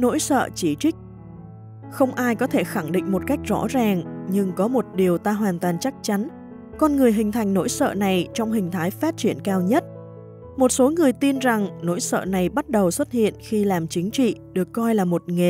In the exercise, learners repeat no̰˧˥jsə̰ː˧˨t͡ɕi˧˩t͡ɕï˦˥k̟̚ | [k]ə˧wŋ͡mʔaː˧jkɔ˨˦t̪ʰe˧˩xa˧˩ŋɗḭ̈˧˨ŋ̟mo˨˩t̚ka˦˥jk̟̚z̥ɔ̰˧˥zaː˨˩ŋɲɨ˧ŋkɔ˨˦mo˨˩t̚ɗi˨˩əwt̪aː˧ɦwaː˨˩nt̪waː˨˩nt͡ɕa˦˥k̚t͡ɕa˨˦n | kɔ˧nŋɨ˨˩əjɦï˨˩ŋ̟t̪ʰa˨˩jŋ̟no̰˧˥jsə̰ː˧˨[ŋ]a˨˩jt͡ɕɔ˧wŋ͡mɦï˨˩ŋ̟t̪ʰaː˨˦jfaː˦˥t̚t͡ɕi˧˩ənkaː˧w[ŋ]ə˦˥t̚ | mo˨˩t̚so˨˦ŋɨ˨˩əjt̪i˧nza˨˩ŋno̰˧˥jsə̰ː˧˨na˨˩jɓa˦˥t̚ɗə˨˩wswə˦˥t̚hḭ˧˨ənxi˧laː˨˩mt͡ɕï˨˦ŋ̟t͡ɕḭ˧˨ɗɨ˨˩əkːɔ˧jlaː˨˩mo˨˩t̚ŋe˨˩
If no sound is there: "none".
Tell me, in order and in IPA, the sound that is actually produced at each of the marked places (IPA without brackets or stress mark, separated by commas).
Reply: x, n, ɲ